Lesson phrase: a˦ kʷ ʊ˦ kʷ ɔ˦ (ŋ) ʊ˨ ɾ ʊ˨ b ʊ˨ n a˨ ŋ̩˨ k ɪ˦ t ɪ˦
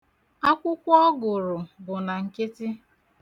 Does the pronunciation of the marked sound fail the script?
yes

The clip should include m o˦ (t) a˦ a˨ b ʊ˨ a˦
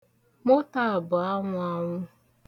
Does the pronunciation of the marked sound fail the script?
no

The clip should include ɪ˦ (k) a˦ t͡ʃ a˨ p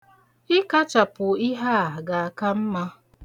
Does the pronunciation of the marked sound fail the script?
no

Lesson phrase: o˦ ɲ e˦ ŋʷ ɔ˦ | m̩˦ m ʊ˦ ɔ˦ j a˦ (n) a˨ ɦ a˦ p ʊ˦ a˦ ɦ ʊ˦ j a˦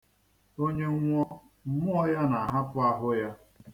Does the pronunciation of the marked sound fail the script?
no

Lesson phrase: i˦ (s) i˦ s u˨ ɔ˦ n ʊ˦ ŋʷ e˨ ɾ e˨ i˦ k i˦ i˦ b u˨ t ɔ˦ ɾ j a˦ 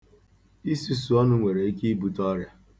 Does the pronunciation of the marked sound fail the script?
no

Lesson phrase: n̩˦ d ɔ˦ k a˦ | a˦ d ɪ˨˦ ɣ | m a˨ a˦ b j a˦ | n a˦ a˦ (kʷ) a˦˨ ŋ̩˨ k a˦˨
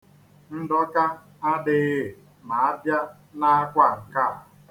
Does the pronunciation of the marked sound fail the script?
no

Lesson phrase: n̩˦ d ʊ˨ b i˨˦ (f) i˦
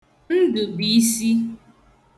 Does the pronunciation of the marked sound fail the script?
yes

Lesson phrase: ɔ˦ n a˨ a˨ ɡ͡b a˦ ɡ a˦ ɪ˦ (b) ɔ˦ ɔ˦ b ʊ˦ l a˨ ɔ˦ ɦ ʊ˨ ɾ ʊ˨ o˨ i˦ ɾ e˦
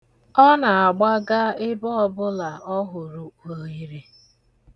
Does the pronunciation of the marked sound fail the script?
no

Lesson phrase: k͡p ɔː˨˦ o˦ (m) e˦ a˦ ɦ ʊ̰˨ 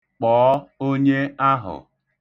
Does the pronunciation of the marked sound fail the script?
yes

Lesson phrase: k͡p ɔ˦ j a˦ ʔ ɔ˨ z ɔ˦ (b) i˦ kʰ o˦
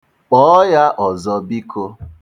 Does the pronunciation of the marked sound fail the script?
no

